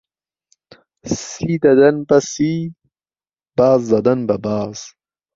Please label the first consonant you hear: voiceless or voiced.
voiceless